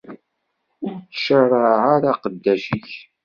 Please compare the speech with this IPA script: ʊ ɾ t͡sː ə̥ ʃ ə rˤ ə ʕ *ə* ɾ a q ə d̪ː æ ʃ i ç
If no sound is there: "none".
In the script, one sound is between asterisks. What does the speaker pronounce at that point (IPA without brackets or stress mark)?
a